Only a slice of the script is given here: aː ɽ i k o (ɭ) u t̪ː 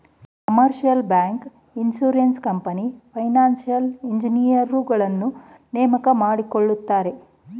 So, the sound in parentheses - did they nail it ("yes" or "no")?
no